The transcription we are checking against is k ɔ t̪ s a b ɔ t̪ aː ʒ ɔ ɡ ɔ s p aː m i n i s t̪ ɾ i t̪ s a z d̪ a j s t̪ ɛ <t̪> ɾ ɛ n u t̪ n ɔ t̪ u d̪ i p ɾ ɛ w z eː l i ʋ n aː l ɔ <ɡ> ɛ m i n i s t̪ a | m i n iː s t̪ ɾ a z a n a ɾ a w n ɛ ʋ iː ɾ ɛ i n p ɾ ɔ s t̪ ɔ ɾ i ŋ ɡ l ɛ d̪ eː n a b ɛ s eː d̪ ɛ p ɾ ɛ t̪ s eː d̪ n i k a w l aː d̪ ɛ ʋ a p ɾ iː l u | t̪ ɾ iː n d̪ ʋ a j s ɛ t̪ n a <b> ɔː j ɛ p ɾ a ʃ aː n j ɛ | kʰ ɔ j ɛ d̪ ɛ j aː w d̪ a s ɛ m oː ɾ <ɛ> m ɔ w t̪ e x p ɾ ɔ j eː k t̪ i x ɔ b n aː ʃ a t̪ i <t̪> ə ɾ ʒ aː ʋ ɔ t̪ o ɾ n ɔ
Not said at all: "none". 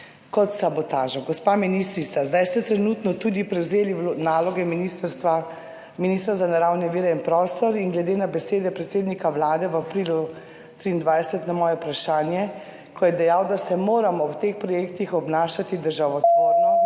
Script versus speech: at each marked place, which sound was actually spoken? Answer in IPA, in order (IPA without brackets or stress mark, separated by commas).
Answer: t̪, ɡ, m, a, d̪